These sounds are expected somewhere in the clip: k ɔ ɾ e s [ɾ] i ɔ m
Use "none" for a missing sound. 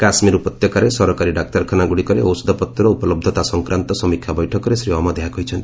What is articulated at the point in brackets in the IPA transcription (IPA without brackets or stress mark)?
ɾ